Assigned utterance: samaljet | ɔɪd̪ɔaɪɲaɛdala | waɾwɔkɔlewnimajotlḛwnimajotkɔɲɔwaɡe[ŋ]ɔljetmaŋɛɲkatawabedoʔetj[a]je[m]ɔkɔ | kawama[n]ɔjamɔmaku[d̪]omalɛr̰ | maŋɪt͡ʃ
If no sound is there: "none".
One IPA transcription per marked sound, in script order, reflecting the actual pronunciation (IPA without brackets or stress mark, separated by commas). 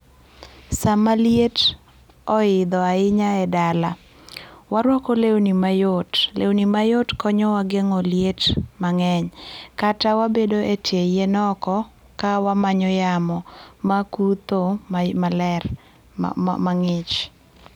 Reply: ŋ, e, n, ɲ, t̪